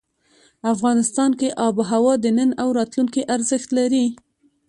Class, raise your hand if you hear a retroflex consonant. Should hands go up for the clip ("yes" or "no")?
no